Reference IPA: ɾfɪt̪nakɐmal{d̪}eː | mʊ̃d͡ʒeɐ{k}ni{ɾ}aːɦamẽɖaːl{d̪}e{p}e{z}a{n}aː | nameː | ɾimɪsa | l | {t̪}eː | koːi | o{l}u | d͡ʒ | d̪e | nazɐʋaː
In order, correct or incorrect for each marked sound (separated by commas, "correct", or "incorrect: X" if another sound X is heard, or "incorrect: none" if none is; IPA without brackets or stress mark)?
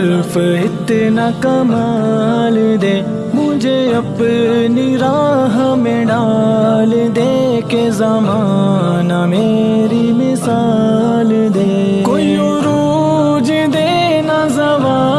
correct, incorrect: p, correct, correct, incorrect: k, correct, incorrect: m, incorrect: d̪, incorrect: ɾ